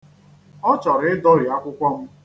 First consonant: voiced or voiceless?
voiceless